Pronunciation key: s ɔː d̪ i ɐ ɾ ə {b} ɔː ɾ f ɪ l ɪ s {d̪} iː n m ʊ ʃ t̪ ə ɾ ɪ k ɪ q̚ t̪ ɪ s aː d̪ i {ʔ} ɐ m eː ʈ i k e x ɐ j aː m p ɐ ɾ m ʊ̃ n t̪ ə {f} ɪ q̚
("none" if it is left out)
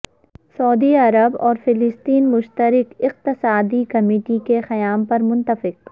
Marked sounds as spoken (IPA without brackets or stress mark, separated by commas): b, t̪, k, f